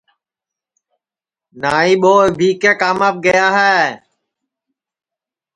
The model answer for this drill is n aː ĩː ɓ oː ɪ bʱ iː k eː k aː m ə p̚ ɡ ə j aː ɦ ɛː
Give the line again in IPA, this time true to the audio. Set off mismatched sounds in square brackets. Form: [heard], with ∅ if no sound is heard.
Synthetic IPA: n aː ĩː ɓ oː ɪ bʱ iː k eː k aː m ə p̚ ɡ ə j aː ɦ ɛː